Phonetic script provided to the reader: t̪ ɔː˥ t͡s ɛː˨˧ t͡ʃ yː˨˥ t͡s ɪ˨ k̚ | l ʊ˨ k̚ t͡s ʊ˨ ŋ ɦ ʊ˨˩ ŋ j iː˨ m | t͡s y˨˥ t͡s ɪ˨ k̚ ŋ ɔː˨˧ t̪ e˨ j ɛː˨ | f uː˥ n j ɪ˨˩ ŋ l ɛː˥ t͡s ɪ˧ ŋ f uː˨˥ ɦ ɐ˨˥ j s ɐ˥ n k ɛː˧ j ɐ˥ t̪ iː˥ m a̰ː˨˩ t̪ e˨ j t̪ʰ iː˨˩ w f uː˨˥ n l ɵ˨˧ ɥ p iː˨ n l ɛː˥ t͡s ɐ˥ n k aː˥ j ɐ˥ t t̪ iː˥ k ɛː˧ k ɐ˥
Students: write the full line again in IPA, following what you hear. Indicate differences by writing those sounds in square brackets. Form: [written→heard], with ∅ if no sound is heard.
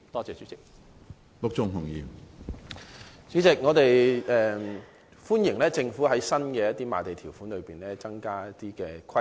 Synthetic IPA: t̪ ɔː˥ t͡s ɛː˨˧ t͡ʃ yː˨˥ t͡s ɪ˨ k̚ | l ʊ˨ k̚ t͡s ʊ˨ ŋ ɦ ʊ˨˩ ŋ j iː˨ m | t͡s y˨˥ t͡s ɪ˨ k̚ ŋ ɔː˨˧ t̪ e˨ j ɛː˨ | f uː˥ n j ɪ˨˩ ŋ l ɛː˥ t͡s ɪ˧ ŋ f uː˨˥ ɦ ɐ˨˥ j s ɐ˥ n k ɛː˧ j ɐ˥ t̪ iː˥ m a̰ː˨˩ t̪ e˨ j t̪ʰ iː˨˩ w f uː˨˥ n l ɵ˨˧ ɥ p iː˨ n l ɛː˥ t͡s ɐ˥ [n→ŋ] k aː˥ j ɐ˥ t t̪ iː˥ k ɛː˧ [k→kʰ] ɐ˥